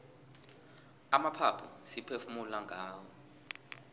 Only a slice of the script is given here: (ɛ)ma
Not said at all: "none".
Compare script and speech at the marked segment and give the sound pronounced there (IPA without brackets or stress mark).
a